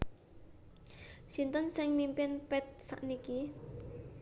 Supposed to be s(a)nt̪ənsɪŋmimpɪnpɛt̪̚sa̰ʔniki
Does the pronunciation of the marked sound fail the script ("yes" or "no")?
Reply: yes